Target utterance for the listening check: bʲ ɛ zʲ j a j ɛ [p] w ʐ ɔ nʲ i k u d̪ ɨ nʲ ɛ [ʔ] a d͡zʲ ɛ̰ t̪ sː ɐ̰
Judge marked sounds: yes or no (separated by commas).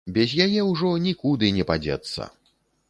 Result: no, no